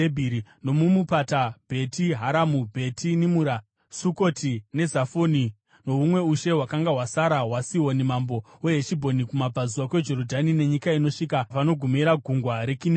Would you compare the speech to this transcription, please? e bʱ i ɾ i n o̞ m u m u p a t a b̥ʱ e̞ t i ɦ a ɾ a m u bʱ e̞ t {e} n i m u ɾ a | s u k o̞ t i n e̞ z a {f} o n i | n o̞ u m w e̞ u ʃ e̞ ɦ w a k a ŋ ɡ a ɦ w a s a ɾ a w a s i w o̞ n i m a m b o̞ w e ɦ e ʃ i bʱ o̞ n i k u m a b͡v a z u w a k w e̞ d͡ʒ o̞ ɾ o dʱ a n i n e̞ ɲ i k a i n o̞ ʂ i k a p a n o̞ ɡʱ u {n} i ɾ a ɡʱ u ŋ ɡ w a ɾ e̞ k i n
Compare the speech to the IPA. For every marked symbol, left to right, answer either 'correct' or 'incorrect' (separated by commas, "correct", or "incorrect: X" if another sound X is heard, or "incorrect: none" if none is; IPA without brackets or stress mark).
incorrect: i, correct, incorrect: m